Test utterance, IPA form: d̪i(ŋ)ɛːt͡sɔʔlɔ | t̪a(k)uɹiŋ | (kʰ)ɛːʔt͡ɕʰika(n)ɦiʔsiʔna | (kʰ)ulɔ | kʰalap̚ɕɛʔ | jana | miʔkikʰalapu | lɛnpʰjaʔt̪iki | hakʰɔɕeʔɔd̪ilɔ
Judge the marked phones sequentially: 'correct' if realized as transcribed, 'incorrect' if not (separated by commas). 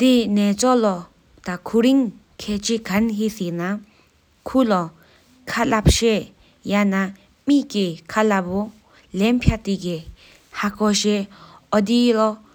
incorrect, incorrect, correct, correct, correct